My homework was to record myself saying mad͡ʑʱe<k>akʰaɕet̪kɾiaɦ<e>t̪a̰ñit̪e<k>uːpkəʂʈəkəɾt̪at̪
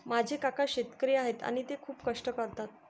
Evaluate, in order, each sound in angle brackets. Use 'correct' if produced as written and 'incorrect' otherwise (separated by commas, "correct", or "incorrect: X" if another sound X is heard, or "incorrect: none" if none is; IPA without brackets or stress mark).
correct, correct, incorrect: kʰ